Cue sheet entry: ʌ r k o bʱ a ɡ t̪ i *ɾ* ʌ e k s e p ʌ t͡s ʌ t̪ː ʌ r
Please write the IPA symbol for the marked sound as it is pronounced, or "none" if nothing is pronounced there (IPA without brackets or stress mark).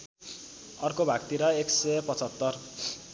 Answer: ɾ